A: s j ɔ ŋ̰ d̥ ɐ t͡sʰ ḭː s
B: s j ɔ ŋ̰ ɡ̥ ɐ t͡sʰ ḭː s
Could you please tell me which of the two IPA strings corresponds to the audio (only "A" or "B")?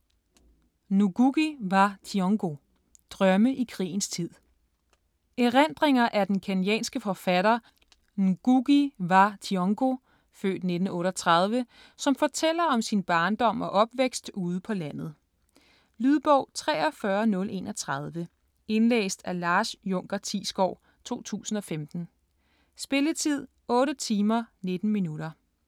B